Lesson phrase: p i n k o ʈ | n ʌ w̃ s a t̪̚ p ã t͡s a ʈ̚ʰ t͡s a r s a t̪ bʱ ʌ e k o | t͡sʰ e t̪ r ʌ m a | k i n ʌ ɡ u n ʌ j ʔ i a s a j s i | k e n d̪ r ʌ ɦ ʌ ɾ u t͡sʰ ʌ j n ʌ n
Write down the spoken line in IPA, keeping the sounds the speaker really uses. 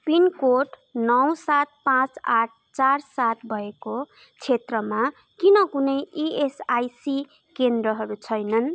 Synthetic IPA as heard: p i n k o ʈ | n ʌ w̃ s a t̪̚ p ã t͡s a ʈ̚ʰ t͡s a r s a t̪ bʱ ʌ e k o | t͡sʰ e t̪ r ʌ m a | k i n ʌ k u n ʌ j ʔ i e s a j s i | k e n d̪ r ʌ ɦ ʌ ɾ u t͡sʰ ʌ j n ʌ n

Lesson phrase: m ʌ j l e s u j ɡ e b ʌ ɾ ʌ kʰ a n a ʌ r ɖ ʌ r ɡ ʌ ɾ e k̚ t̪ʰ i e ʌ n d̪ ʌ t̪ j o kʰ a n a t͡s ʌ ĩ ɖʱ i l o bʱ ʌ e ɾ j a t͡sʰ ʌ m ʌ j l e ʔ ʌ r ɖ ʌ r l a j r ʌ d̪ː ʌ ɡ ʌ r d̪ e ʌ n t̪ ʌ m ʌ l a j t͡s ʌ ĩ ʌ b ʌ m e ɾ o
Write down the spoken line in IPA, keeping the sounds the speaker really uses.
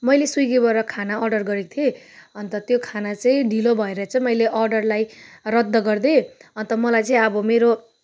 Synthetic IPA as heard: m ʌ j l e s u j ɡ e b ʌ ɾ ʌ kʰ a n a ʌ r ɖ ʌ r ɡ ʌ ɾ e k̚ t̪ʰ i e ʌ n t̪ ʌ t̪ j o kʰ a n a t͡s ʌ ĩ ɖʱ i l o bʱ ʌ e ɾ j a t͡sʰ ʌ m ʌ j l e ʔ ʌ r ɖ ʌ r l a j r ʌ d̪ː ʌ ɡ ʌ r d̪ e ʌ n t̪ ʌ m ʌ l a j t͡s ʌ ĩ ʌ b ʌ m e ɾ o

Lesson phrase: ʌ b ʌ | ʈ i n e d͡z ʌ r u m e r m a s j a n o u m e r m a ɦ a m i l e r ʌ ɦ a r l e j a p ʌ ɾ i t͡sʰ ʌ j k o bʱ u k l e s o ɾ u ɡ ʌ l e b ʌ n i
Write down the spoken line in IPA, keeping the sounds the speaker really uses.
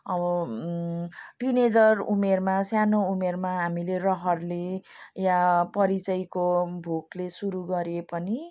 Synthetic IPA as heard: ʌ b ʌ | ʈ i n e d͡z ʌ r u m e r m a s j a n o u m e r m a ɦ a m i l e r ʌ ɦ ʌ r l e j a p ʌ ɾ i t͡s ʌ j k o bʱ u k l e s u ɾ u ɡ ʌ ɾ e p ʌ n i

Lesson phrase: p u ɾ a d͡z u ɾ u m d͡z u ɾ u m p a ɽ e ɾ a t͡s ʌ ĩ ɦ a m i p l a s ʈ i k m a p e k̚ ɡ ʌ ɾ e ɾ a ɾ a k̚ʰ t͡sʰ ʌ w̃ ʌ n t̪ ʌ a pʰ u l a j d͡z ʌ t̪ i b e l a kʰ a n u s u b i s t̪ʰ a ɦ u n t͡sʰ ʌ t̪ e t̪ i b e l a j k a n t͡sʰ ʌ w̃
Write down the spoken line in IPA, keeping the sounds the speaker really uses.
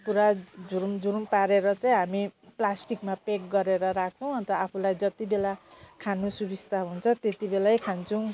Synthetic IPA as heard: p u ɾ a d͡z u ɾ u m d͡z u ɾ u m p a ɾ e ɾ ʌ t͡s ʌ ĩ ɦ a m i p l a s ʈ i k m a p e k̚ ɡ ʌ ɾ e ɾ ʌ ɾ a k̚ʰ t͡sʰ ʌ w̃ ʌ n t̪ ʌ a pʰ u l a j d͡z ʌ t̪ i b e l a kʰ a n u s u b i s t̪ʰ a ɦ u n t͡sʰ ʌ t̪ e t̪ i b e l a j kʰ a n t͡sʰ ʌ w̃

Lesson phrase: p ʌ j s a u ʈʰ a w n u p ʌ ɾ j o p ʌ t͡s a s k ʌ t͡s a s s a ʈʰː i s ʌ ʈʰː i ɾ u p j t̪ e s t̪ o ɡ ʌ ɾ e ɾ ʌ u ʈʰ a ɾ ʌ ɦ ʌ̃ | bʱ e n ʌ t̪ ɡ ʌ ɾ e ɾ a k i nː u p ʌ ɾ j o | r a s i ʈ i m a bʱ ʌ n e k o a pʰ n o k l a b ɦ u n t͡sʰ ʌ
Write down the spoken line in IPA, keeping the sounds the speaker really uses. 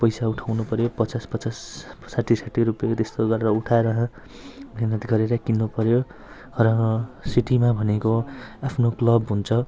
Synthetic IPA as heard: p ʌ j s a u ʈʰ a w n u p ʌ ɾ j o p ʌ t͡s a s p ʌ t͡s a s s a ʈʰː i s a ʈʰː i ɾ u p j t̪ e s t̪ o ɡ ʌ ɾ e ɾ ʌ u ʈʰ a ɾ ʌ ɦ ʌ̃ | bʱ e n ʌ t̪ ɡ ʌ ɾ e ɾ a k i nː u p ʌ ɾ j o | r ʌ s i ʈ i m a bʱ ʌ n e k o a pʰ n o k l ʌ b ɦ u n t͡sʰ ʌ

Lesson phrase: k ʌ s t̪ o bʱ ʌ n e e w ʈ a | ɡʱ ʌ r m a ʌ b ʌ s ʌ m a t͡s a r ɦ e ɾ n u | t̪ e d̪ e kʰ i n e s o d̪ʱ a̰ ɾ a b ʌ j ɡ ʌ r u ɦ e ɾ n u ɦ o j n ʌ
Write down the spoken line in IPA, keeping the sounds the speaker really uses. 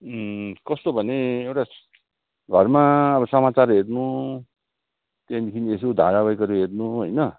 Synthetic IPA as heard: k ʌ s t̪ o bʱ ʌ n e e w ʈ a | ɡʱ ʌ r m a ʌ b ʌ s ʌ m a t͡s a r ɦ e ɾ n u | t̪ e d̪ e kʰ i n e s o d̪ʱ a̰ ɾ a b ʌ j k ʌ ɾ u ɦ e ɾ n u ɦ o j n ʌ

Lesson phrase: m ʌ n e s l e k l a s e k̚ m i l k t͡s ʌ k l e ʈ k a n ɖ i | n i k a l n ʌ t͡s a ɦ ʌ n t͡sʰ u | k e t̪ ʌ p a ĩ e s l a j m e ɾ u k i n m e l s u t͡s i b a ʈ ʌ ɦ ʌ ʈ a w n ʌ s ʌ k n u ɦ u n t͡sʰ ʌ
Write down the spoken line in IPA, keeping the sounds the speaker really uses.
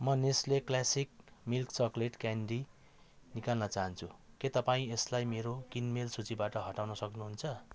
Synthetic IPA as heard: m ʌ n e s l e k l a s i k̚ m i l k t͡s ʌ k l e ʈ k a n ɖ i | n i k a l n ʌ t͡s a ɦ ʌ n t͡sʰ u | k e t̪ ʌ p a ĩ e s l a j m e ɾ o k i n m e l s u t͡s i b a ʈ ʌ ɦ ʌ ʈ a w n ʌ s ʌ k n u ɦ u n t͡sʰ ʌ

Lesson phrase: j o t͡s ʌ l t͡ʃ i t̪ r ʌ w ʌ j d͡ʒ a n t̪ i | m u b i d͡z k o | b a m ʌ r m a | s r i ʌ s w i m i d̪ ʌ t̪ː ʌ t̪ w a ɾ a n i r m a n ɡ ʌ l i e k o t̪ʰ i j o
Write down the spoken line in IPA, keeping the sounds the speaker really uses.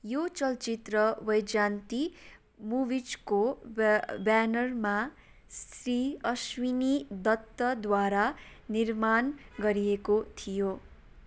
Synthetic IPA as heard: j o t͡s ʌ l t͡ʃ i t̪ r ʌ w ʌ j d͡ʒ a n t̪ i | m u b i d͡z k o | b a n ʌ r m a | s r i ʌ s w i n i d̪ ʌ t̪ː ʌ d̪ w a ɾ a n i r m a n ɡ ʌ ɾ i e k o t̪ʰ i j o

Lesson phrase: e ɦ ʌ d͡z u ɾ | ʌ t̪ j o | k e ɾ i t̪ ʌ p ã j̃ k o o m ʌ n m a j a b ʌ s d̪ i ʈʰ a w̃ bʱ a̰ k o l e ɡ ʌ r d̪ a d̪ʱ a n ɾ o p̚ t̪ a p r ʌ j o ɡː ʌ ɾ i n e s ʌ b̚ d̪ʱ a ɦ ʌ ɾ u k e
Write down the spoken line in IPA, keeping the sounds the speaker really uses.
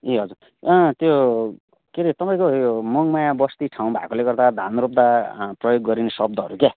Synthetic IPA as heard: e ɦ ʌ d͡z u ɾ | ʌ t̪ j o | k e ɾ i t̪ ʌ p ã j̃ k o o m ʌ ŋ m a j a b ʌ s t̪ i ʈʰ a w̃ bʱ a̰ k o l e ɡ ʌ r d̪ a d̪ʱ a n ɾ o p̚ d̪ a p r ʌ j o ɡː ʌ ɾ i n e s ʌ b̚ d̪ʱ ʌ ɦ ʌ ɾ u k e

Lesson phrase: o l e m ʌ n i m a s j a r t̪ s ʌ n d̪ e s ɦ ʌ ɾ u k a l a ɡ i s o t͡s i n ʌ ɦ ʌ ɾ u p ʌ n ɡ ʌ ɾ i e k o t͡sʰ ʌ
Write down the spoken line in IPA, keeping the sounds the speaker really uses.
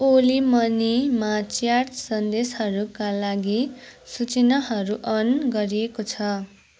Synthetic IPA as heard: o l i m ʌ n i m a t͡s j a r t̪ s ʌ n d̪ e s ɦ ʌ ɾ u k a l a ɡ i s u t͡s i n ʌ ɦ ʌ ɾ u ʔ ʌ n ɡ ʌ ɾ i e k o t͡sʰ ʌ

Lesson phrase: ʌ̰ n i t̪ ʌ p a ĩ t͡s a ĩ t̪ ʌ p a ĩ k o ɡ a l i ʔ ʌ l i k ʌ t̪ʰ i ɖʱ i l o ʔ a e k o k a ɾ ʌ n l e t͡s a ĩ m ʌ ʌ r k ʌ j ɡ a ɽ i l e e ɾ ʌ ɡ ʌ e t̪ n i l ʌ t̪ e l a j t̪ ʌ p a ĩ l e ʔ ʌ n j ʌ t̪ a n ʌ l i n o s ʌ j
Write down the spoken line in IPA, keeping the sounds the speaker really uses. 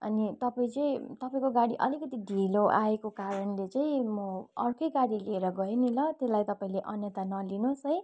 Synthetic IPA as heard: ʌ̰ n i t̪ ʌ p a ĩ t͡s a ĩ t̪ ʌ p a ĩ k o ɡ a ɽ i ʔ ʌ l i k ʌ t̪ i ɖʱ i l o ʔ a e k o k a ɾ ʌ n l e t͡s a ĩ m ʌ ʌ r k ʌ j ɡ a ɽ i l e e ɾ ʌ ɡ ʌ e n i l ʌ t̪ e l a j t̪ ʌ p a ĩ l e ʔ ʌ n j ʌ t̪ a n ʌ l i n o s ʌ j

